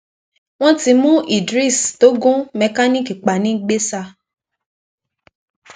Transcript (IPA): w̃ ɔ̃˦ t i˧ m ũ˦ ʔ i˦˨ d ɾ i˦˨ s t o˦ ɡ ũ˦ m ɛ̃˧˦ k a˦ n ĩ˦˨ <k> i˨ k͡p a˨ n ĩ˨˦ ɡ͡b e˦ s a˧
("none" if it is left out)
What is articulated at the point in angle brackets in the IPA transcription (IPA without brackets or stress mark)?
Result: k